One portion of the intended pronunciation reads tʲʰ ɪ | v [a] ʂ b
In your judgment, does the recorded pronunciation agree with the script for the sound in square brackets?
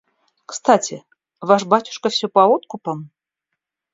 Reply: yes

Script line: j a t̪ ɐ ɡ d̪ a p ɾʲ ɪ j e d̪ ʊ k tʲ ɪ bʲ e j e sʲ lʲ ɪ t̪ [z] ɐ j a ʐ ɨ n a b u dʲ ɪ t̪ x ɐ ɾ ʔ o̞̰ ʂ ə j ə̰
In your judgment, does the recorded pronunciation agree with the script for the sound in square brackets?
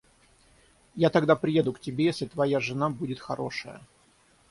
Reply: no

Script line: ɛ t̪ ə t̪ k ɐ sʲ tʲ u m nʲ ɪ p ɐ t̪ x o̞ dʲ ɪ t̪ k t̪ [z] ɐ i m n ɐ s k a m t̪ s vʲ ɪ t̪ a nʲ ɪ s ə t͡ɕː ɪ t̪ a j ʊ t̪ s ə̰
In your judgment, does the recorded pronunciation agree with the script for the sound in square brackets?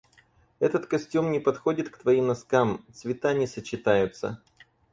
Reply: no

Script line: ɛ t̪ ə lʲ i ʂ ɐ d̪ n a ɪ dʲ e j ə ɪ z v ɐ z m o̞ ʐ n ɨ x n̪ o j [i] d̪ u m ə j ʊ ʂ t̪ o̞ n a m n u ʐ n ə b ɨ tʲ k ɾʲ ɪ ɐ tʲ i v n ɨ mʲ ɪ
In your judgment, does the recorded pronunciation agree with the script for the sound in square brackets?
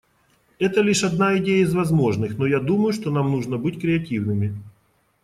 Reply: no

